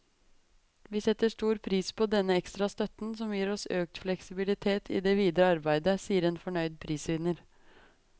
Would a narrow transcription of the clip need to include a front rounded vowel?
yes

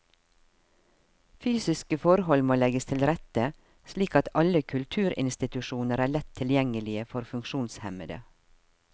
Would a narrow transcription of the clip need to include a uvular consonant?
no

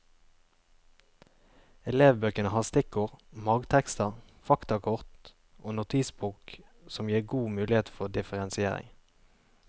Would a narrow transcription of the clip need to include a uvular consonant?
yes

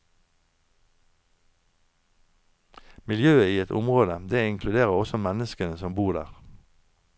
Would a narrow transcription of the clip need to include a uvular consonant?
yes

